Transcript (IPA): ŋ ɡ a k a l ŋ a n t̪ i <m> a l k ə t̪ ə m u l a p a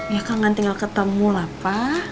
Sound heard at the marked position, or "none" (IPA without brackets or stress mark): ŋ